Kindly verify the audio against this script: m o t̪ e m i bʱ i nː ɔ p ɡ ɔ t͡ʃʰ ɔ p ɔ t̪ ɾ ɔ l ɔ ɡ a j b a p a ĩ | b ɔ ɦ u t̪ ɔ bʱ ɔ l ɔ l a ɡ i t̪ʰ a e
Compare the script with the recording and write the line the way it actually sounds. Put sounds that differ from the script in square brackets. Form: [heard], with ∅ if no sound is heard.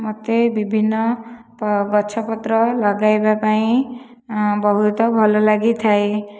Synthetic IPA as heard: m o t̪ e [b] i bʱ i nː ɔ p ɡ ɔ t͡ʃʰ ɔ p ɔ t̪ ɾ ɔ l ɔ ɡ a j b a p a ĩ | b ɔ ɦ u t̪ ɔ bʱ ɔ l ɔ l a ɡ i t̪ʰ a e

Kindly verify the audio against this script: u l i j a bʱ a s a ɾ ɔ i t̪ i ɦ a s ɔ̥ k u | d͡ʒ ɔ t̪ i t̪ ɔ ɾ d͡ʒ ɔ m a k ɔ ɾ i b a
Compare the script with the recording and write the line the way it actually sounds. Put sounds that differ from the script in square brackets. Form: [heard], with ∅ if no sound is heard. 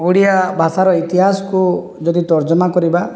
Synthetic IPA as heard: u [ɽ] i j a bʱ a s a ɾ ɔ i t̪ i ɦ a s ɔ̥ k u | d͡ʒ ɔ [d̪] i t̪ ɔ ɾ d͡ʒ ɔ m a k ɔ ɾ i b a

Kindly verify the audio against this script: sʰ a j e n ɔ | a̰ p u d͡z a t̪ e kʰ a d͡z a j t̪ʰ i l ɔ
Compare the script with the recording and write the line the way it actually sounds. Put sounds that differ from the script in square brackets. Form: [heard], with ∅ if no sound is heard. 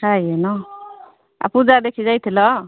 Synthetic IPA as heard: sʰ a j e n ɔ | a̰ p u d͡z a [d̪] e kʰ [i] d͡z a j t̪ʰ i l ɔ

